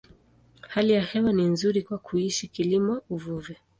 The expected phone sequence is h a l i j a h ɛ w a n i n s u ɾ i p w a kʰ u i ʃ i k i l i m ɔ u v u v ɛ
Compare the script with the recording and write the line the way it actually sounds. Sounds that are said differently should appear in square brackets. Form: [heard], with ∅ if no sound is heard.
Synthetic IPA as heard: h a l i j a h ɛ w a n i n [z] u ɾ i [k] w a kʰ u i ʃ i k i l i m ɔ u v u v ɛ